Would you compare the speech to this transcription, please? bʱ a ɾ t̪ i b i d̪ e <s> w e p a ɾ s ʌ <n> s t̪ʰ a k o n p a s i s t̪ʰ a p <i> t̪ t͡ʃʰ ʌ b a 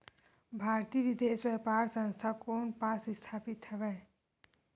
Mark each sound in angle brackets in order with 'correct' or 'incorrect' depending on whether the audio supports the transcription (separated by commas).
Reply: correct, correct, correct